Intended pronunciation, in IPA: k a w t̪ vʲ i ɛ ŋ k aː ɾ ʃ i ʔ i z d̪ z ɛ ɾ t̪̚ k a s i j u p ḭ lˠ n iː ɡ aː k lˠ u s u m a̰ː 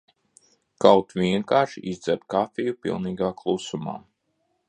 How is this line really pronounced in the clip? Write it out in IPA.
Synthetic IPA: k a w t̪ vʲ i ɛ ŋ k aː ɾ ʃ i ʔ i z d̪ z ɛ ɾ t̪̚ k a f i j u p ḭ lˠ n iː ɡ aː k lˠ u s u m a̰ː